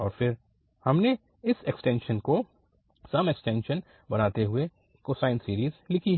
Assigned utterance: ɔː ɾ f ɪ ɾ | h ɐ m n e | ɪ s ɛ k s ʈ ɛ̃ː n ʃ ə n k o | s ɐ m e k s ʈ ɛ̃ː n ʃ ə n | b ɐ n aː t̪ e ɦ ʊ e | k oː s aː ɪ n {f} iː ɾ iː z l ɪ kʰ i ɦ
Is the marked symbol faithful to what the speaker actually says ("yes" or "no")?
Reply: no